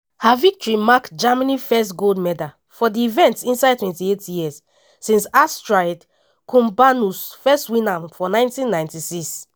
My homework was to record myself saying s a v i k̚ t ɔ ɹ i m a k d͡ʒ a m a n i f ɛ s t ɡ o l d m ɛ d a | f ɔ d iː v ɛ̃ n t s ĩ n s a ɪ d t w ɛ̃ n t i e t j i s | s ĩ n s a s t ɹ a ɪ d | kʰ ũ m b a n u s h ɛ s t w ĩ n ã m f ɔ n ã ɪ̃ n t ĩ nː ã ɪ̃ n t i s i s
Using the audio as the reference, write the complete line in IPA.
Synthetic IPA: h a v i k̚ t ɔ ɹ i m a k d͡ʒ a m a n i f ɛ s t ɡ o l d m ɛ d a | f ɔ d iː v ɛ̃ n t s ĩ n s a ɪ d t w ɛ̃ n t i e t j i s | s ĩ n s a s t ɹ a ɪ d | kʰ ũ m b a n u s f ɛ s t w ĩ n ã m f ɔ n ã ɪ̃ n t ĩ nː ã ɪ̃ n t i s i s